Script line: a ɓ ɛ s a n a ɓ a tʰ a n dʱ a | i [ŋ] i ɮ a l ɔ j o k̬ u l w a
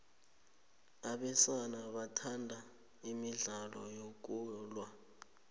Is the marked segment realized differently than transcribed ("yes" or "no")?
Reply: yes